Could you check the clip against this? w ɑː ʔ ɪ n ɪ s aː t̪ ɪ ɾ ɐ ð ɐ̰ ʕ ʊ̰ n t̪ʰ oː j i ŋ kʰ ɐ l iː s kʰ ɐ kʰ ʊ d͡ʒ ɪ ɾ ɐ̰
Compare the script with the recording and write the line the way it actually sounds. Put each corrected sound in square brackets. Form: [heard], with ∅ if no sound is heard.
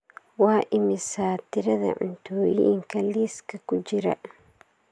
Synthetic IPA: w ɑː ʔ ɪ [m] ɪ s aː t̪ ɪ ɾ ɐ ð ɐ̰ ʕ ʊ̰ n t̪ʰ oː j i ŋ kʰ ɐ l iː s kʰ ɐ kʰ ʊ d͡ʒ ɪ ɾ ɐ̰